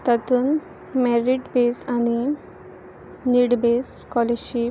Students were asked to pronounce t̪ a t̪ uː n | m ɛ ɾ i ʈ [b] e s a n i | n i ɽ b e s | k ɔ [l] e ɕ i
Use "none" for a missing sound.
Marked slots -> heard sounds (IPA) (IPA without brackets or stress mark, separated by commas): b, l